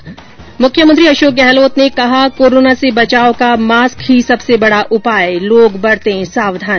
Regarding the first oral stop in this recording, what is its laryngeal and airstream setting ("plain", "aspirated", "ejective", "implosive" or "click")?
aspirated